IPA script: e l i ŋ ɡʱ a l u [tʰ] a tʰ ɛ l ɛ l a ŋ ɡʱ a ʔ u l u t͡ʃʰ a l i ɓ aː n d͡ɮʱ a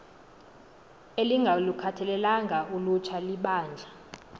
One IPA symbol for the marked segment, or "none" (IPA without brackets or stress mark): kʰ